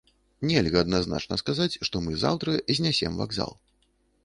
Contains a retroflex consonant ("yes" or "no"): yes